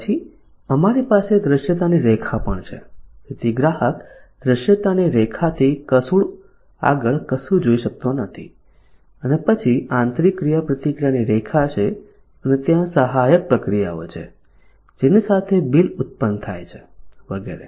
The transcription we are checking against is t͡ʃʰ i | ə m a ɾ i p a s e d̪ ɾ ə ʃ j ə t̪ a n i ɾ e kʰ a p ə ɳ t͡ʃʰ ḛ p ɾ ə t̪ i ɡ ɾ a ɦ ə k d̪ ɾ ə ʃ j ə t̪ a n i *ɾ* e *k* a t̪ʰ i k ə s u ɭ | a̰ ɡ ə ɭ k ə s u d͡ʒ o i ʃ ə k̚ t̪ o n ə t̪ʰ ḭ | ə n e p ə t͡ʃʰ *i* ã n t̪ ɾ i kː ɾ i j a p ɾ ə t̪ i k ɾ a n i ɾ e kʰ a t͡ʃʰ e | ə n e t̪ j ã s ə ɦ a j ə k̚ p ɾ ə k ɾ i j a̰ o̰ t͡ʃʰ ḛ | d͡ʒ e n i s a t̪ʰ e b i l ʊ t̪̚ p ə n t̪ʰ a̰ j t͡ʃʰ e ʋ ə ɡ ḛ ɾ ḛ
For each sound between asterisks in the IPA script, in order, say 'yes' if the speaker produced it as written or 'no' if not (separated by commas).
yes, no, yes